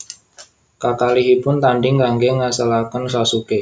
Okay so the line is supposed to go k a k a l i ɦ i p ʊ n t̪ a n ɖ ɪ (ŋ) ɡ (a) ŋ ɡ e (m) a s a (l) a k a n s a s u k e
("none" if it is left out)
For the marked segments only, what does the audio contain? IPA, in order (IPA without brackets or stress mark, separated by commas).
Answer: ŋ, a, ŋ, l